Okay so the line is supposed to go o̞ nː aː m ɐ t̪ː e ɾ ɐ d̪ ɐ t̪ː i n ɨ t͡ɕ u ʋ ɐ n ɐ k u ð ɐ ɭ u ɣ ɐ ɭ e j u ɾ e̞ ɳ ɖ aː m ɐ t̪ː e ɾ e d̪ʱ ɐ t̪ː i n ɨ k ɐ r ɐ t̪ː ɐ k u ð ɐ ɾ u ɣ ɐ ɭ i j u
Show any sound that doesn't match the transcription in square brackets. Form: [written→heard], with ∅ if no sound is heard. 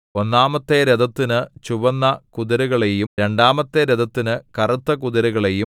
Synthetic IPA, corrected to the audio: o̞ nː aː m ɐ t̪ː e ɾ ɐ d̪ ɐ t̪ː i n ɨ t͡ɕ u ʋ ɐ [n→nː] ɐ k u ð ɐ [ɭ→ɾ] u ɣ ɐ ɭ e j u ɾ e̞ ɳ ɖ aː m ɐ t̪ː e ɾ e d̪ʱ ɐ t̪ː i n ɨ k ɐ r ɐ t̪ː ɐ k u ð ɐ ɾ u ɣ ɐ ɭ [i→e] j u

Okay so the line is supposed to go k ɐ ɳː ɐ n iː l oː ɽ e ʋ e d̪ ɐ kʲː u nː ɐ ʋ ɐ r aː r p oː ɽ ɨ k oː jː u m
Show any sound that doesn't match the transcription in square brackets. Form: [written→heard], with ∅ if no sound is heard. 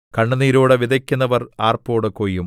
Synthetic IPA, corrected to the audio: k ɐ ɳː ɐ n iː [l→ɾ] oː ɽ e ʋ [e→i] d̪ ɐ kʲː u nː ɐ ʋ ɐ r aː r p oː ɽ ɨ k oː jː u m

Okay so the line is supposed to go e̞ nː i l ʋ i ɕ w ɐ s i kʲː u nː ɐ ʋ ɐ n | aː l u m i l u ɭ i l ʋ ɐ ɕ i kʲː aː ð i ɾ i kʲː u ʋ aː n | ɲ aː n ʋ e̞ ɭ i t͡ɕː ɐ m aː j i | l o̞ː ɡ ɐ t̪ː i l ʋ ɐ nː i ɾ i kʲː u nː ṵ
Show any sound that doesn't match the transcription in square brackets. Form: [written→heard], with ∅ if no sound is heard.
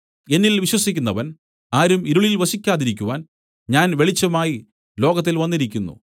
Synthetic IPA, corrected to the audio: e̞ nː i l ʋ i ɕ w ɐ s i kʲː u nː ɐ ʋ ɐ n | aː [l→ɾ] u m i [l→ɾ] u ɭ i l ʋ ɐ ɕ i kʲː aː ð i ɾ i kʲː u ʋ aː n | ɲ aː n ʋ e̞ ɭ i t͡ɕː ɐ m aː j i | l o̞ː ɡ ɐ t̪ː i l ʋ ɐ nː i ɾ i kʲː u nː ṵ

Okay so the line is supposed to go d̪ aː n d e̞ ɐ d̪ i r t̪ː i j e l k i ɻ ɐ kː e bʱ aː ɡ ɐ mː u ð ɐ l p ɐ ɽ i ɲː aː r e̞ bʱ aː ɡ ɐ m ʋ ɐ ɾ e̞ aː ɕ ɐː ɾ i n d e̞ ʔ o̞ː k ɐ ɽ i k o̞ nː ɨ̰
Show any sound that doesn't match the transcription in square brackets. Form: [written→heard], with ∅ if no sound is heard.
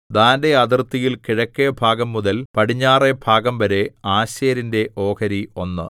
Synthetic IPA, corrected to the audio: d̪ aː n d e̞ ɐ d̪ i r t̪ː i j [e→i] l k i ɻ ɐ kː e bʱ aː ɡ ɐ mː u ð ɐ l p ɐ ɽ i ɲː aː r e̞ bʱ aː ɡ ɐ m ʋ ɐ ɾ e̞ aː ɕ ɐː ɾ i n d e̞ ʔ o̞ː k ɐ [ɽ→ɾ] i [k→∅] o̞ nː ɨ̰

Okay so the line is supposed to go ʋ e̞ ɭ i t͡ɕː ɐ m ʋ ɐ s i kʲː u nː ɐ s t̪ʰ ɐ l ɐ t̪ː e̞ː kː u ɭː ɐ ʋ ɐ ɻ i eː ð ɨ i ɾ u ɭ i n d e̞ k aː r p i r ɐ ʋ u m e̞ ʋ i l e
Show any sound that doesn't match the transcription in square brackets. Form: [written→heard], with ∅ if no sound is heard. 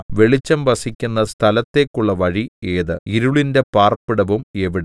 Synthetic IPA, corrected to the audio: ʋ e̞ ɭ i t͡ɕː ɐ m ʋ ɐ s i kʲː u nː ɐ s t̪ʰ ɐ l ɐ t̪ː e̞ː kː u ɭː ɐ ʋ ɐ ɻ i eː ð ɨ i ɾ u ɭ i n d e̞ [k→p] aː r p i [r→ɽ] ɐ ʋ u m e̞ ʋ i [l→ɽ] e

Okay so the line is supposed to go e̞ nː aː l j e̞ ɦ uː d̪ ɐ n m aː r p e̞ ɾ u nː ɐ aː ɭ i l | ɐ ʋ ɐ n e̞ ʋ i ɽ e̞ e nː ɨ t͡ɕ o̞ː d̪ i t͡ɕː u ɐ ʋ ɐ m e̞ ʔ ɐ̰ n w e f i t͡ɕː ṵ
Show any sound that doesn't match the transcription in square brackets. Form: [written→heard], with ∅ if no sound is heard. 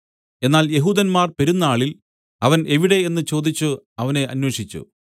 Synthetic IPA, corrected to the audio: e̞ nː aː l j e̞ ɦ uː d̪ ɐ n m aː r p e̞ ɾ u nː ɐ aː ɭ i l | ɐ ʋ ɐ n e̞ ʋ i ɽ e̞ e nː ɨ t͡ɕ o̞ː d̪ i t͡ɕː u ɐ ʋ ɐ [m→n] e̞ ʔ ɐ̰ n w e [f→ʂ] i t͡ɕː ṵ

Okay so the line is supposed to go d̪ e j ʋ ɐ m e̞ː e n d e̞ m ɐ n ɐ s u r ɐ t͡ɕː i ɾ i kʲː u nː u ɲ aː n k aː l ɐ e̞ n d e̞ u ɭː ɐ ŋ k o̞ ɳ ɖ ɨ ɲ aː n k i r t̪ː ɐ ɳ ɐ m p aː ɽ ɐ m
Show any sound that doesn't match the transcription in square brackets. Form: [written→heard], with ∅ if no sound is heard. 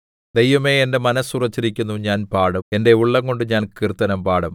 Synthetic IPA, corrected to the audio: d̪ e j ʋ ɐ m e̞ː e n d e̞ m ɐ n ɐ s u r ɐ t͡ɕː i ɾ i kʲː u nː u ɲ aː n [k→p] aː [l→ɽ] ɐ e̞ n d e̞ u ɭː ɐ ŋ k o̞ ɳ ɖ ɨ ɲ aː n k i r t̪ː ɐ [ɳ→n] ɐ m p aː ɽ ɐ m

